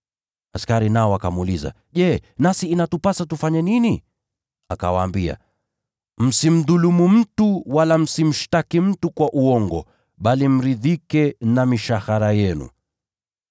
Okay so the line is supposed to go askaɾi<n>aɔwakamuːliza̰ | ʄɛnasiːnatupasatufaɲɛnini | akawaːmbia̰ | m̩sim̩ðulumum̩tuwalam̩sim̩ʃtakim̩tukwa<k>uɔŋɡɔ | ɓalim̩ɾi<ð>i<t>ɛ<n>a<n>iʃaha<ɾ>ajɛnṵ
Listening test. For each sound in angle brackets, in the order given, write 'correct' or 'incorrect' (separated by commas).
correct, incorrect, correct, incorrect, correct, incorrect, correct